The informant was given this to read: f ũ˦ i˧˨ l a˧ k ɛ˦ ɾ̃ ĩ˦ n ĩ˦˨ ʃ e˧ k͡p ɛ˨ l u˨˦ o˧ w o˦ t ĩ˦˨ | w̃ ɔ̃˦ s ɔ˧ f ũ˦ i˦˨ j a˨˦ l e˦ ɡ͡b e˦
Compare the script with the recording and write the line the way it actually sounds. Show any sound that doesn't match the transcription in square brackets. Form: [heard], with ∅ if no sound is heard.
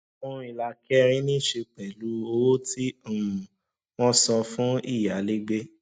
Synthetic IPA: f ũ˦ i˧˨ l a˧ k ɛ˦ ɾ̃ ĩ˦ n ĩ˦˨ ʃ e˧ k͡p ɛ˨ l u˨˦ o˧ w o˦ t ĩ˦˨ | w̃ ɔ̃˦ s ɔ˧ f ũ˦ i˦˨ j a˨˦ l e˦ ɡ͡b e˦